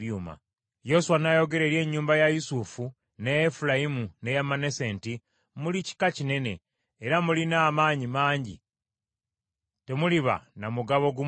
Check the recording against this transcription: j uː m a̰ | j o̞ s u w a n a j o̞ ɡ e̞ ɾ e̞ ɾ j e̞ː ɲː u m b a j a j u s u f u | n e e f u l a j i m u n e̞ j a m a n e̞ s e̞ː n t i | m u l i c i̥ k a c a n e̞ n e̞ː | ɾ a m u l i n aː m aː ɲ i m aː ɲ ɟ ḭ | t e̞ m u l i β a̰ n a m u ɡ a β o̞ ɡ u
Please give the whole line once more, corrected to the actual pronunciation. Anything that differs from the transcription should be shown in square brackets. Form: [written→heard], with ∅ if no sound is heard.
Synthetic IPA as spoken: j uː m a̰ | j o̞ s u w a n a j o̞ ɡ e̞ ɾ e̞ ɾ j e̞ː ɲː [u→uː] m b a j a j u s u f u | n e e f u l a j i m u n e̞ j a m a n e̞ s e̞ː n t i | m u l i c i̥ k a c [a→i] n e̞ n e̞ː | ɾ a m u l i n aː m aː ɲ i m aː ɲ ɟ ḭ | t e̞ m u l i β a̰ n a m u ɡ a β o̞ ɡ u